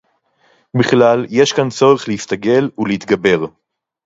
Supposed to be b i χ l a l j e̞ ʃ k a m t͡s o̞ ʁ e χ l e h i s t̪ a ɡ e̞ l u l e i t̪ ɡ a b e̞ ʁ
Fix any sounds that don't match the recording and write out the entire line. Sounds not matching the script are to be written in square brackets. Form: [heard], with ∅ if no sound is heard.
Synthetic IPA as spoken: b i χ l a l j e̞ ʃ k a [n] t͡s o̞ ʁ e χ l e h i s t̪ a ɡ e̞ l u l e i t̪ ɡ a b e̞ ʁ